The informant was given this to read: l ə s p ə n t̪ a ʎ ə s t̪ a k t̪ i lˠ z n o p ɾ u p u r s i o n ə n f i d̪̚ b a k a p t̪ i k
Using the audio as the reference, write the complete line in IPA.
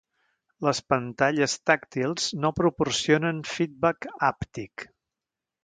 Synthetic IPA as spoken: l ə s p ə n t̪ a ʎ ə s t̪ a k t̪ i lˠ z n o p ɾ u p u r s i o n ə n f i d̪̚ b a k a p t̪ i k